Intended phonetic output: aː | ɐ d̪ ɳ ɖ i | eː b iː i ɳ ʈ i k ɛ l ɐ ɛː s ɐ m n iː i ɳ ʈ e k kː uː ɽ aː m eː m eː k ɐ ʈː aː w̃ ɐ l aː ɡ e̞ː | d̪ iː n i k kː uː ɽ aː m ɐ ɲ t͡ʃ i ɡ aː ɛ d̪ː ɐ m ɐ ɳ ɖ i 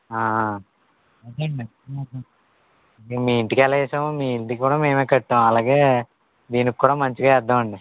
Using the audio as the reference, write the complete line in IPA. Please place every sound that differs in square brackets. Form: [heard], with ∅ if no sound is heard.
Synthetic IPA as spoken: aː | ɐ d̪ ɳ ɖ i | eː [m] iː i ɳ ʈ i k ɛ l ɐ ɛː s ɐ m [m] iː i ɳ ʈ [i] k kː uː ɽ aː m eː m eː k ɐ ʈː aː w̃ ɐ l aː ɡ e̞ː | d̪ iː n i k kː uː ɽ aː m ɐ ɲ t͡ʃ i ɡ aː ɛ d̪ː ɐ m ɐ ɳ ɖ i